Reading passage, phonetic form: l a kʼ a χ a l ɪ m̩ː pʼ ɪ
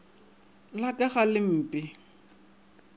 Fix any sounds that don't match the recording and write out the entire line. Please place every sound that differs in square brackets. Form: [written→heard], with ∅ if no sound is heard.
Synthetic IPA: l a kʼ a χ a l ɪ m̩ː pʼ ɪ